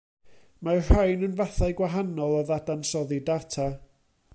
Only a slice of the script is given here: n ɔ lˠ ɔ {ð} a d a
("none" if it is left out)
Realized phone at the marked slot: ð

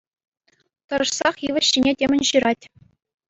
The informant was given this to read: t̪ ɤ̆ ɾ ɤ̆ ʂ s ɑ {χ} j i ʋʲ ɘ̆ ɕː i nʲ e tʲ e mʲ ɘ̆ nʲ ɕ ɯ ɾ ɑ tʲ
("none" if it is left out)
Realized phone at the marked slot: χ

